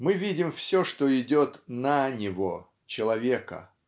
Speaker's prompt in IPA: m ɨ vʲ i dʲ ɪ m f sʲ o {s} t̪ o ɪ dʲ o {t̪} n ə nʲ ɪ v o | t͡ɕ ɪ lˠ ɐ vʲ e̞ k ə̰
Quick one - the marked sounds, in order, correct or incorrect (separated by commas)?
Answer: incorrect, correct